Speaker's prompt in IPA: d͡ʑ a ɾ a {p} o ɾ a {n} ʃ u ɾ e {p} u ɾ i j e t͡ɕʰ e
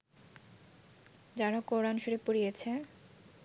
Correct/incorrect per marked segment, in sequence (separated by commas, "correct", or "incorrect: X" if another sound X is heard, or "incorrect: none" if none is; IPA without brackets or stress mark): incorrect: k, correct, correct